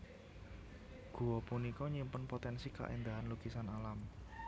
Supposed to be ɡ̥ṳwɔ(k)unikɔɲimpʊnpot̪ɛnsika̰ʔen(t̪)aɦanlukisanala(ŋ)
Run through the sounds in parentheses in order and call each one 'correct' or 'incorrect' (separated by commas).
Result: incorrect, incorrect, incorrect